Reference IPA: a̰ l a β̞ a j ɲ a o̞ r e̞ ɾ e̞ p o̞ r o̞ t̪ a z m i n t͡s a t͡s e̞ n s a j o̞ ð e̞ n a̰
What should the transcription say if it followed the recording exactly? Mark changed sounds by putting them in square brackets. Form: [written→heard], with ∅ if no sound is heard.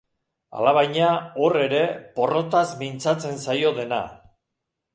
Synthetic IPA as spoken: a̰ l a β̞ a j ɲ a o̞ r e̞ ɾ e̞ p o̞ r o̞ t̪ a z m i n t͡s a t͡s e̞ n s a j o̞ ð e̞ n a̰

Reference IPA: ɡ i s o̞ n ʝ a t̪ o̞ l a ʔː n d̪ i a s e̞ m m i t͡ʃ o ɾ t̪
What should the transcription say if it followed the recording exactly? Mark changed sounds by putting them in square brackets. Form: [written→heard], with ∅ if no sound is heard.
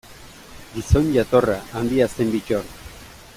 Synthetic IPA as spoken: ɡ i s o̞ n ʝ a t̪ o̞ [l→r] a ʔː n d̪ i a s e̞ m [m→b] i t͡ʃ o ɾ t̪

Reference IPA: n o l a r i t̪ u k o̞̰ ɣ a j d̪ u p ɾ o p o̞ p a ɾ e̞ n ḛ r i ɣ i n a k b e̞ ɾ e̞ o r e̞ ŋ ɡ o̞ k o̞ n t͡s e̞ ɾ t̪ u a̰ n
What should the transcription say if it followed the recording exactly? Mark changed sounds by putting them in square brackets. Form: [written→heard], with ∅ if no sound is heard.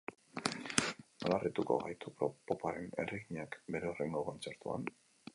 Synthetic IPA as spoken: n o l a r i t̪ u k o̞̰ ɣ a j [d̪→t̪] u p ɾ o p o̞ p a ɾ e̞ n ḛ r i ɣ i [n→ɲ] a k b e̞ ɾ e̞ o r e̞ ŋ ɡ o̞ k o̞ n t͡s e̞ ɾ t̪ u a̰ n

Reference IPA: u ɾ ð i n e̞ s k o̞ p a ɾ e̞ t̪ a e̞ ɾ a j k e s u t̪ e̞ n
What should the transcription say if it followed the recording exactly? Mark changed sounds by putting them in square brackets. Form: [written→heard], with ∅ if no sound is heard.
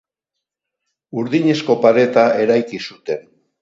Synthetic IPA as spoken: u ɾ ð i [n→ɲ] e̞ s k o̞ p a ɾ e̞ t̪ a e̞ ɾ a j k [e→i] s u t̪ e̞ n

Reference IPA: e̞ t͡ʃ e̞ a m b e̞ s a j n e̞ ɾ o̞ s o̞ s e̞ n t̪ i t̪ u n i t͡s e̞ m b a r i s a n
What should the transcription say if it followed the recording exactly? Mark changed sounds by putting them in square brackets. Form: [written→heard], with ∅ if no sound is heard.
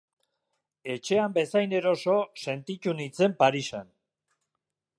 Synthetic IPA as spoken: e̞ t͡ʃ e̞ a m b e̞ s a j n e̞ ɾ o̞ s o̞ s e̞ n t̪ i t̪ u n i t͡s e̞ m [b→p] a [r→ɾ] i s a n

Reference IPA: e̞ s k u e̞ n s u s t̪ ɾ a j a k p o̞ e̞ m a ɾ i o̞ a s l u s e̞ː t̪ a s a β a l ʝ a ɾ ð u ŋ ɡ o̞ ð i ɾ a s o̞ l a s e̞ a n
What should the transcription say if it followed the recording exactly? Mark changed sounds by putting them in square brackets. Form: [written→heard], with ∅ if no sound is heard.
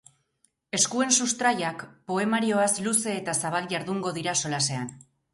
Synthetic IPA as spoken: e̞ s k u e̞ n s u s t̪ ɾ a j a k p o̞ e̞ m a ɾ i o̞ a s l u s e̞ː t̪ a s a β a l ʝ a ɾ ð u ŋ ɡ o̞ ð i ɾ a s o̞ l a s e̞ a n

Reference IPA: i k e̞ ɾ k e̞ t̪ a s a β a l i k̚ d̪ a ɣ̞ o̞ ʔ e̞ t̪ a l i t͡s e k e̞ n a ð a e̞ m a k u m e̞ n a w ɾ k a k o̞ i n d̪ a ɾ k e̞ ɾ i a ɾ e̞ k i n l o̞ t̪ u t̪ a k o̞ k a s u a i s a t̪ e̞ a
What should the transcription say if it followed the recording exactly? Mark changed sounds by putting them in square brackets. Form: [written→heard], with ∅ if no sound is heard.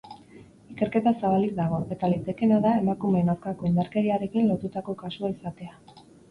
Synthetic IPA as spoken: i k e̞ ɾ k e̞ t̪ a s a β a l i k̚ d̪ a ɣ̞ o̞ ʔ e̞ t̪ a l i t͡s e k e̞ n a ð a e̞ m a k u m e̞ n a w ɾ k a k o̞ i n d̪ a ɾ k e̞ ɾ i a ɾ e̞ k i n l o̞ t̪ u t̪ a k o̞ k a s u a i s a t̪ e̞ a

